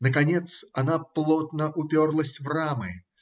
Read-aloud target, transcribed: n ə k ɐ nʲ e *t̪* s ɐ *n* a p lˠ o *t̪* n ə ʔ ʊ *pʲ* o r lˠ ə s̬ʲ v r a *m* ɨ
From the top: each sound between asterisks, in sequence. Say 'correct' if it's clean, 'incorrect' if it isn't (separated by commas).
correct, correct, correct, correct, correct